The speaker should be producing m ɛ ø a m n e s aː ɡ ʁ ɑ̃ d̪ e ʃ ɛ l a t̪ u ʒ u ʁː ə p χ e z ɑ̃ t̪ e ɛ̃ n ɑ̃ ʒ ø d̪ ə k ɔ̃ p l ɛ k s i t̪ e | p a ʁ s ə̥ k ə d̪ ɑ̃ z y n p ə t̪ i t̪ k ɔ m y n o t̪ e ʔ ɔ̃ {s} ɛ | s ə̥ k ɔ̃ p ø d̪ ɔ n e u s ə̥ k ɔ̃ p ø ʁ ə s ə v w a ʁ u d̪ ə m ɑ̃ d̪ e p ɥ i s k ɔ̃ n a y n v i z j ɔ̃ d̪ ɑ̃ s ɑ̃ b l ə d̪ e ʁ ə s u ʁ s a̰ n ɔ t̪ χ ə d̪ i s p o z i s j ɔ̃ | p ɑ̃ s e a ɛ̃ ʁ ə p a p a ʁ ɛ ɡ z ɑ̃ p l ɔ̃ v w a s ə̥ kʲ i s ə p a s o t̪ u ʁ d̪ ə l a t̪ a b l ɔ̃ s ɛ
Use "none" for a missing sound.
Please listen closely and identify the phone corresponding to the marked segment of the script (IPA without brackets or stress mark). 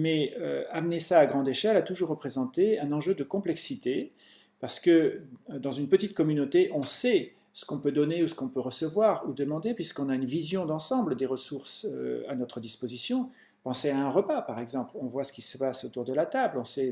s